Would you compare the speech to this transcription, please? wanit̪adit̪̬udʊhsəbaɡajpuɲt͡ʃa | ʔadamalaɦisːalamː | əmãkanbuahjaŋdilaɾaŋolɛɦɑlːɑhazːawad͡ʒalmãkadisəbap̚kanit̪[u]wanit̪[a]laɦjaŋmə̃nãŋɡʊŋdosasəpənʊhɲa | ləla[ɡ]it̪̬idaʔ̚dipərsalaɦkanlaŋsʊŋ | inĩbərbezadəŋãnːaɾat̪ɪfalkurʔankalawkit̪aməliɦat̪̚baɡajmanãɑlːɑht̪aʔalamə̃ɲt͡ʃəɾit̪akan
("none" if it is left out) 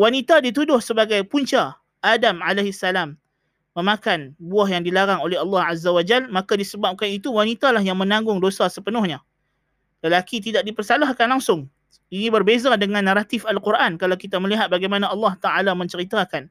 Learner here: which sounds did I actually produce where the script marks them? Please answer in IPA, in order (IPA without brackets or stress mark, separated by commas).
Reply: u, a, k